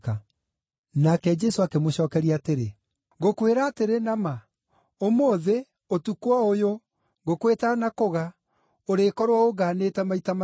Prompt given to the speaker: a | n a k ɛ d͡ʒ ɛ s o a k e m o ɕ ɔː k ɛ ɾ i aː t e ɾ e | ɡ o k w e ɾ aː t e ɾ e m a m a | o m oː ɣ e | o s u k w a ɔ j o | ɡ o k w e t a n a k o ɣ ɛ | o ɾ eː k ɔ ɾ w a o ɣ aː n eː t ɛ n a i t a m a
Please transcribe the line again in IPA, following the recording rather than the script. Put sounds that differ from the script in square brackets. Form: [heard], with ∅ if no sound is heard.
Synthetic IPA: a | n a k ɛ d͡ʒ ɛ s o a k e m o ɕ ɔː k ɛ ɾ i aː t e ɾ e | ɡ o k w e ɾ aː t e ɾ e [n] a m a | o m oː [ð] e | o [t] u k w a [o] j o | ɡ o k w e t a n a k o ɣ [a] | o ɾ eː k ɔ ɾ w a o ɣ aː n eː t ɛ [m] a i t a m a